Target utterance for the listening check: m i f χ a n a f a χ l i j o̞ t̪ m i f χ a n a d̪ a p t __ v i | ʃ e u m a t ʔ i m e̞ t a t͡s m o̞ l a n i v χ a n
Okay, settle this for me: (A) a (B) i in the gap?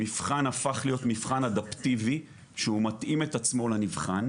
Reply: B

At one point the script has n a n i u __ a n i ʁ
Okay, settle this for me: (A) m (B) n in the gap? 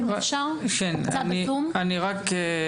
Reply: A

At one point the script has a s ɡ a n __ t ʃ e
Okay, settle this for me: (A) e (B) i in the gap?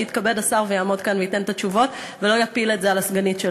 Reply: B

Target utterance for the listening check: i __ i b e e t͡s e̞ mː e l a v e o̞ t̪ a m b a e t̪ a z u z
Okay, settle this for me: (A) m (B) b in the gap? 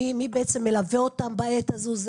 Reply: A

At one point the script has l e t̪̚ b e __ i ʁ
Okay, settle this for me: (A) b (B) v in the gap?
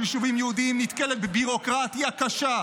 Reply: A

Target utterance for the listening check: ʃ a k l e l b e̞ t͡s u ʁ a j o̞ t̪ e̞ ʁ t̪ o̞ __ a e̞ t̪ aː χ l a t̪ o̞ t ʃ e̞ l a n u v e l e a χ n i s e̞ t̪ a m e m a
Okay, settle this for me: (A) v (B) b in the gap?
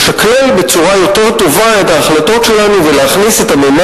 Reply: A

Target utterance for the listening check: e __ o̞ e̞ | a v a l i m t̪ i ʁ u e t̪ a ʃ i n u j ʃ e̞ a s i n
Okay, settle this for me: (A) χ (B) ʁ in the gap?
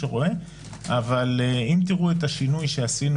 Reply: B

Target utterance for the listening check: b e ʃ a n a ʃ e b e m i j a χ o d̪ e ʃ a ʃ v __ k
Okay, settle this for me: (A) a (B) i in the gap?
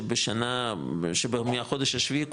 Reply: B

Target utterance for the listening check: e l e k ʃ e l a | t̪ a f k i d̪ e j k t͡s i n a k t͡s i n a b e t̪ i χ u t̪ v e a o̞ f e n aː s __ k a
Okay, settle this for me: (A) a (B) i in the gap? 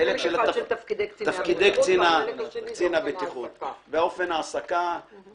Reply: A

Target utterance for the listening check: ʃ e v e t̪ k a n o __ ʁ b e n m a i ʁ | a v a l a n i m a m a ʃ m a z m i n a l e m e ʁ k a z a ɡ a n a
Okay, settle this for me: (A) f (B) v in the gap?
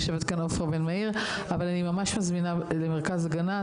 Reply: A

